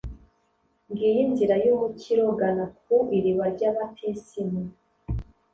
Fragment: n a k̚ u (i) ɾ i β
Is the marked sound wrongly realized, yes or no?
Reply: no